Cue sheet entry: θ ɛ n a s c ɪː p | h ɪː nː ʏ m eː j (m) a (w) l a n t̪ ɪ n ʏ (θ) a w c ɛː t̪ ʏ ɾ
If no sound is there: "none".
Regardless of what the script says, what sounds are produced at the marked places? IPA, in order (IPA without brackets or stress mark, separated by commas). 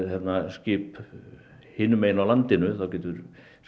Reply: n, w, θ